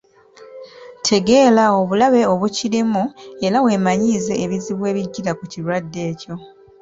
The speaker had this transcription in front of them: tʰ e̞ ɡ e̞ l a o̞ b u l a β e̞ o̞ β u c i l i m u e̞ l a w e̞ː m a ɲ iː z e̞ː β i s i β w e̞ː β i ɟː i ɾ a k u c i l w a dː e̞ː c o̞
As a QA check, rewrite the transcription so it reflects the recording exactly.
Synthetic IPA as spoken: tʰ e̞ ɡ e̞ l a o̞ β u l a β e̞ o̞ β u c i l i m u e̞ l a w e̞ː m a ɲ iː z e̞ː β i z i β w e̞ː β i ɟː i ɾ a k u c i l w a dː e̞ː c o̞